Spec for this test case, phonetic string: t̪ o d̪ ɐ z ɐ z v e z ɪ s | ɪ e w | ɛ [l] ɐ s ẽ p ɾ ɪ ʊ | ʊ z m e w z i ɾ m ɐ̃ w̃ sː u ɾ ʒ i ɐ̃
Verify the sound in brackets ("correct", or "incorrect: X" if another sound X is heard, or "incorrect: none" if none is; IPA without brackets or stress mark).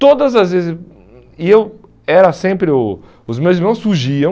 incorrect: ɾ